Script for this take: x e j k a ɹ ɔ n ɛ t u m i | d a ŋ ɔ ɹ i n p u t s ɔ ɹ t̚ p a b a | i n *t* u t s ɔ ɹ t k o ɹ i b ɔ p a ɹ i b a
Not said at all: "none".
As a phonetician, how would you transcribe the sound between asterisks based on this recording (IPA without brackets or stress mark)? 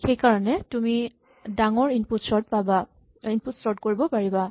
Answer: p